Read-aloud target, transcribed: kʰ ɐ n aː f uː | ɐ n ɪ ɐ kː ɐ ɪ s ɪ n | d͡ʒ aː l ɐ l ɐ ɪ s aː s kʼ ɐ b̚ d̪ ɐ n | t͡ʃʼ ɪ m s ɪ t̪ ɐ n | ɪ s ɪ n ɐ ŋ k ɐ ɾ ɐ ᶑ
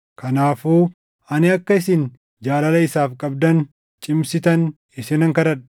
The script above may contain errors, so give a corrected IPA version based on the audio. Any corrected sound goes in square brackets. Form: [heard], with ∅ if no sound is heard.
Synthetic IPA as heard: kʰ ɐ n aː f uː | ɐ n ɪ ɐ kː ɐ ɪ s ɪ n | d͡ʒ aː l ɐ l ɐ ɪ s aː [f] kʼ ɐ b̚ d̪ ɐ n | t͡ʃʼ ɪ m s ɪ t̪ ɐ n | ɪ s ɪ n ɐ ŋ k ɐ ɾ ɐ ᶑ